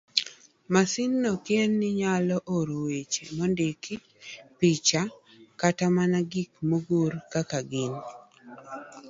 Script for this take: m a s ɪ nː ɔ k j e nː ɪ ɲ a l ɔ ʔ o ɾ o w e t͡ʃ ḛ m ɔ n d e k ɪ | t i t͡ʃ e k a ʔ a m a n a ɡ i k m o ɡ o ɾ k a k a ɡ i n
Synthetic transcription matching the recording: m a s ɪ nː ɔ k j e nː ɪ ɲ a l ɔ ʔ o ɾ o w e t͡ʃ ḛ m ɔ n d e k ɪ | p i t͡ʃ a k a t a m a n a ɡ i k m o ɡ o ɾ k a k a ɡ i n